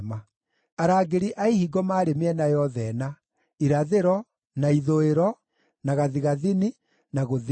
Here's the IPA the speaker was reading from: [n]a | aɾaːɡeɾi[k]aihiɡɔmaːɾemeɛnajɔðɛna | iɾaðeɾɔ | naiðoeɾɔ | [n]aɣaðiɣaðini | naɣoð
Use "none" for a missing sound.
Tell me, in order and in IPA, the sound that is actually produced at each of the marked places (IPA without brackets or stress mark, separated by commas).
m, ʔ, n